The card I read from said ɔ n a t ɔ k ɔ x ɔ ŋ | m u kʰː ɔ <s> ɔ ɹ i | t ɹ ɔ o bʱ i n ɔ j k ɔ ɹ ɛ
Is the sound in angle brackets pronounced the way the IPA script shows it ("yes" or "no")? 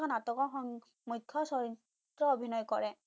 yes